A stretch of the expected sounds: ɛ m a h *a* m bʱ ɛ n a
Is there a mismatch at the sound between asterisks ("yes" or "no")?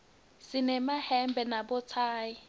yes